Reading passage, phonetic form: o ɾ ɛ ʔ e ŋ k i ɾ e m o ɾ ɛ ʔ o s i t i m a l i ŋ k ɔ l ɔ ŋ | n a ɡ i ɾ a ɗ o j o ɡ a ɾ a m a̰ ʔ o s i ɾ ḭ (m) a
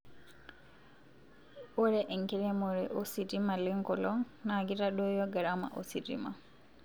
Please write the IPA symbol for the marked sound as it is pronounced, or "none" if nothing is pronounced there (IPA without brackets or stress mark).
m